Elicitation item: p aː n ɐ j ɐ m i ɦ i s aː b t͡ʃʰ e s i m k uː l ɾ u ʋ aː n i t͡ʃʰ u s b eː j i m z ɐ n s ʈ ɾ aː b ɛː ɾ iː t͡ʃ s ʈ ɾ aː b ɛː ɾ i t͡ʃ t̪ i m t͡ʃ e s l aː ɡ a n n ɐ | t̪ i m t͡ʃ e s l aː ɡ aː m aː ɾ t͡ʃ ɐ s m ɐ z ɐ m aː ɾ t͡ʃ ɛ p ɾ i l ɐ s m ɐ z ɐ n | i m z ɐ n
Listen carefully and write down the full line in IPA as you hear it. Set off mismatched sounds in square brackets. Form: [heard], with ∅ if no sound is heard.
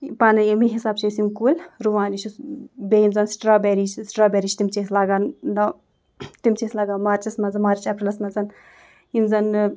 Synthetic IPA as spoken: p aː n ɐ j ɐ m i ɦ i s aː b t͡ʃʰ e s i m k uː l ɾ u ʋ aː n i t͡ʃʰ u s b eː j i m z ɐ n s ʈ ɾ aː b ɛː ɾ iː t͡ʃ s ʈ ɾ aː b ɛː ɾ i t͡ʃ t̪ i m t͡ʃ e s l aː ɡ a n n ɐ | t̪ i m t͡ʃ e s l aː ɡ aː m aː ɾ t͡ʃ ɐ s m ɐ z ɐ m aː ɾ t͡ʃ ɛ p ɾ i l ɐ s m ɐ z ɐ n | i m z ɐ n